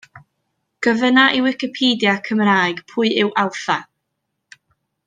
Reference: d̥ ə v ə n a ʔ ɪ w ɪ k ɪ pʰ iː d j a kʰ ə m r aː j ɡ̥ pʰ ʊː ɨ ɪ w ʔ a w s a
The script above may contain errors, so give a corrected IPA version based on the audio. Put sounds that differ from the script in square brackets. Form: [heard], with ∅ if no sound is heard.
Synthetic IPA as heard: [ɡ̥] ə v ə n a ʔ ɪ w ɪ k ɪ pʰ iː d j a kʰ ə m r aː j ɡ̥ pʰ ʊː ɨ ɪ w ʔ a w [θ] a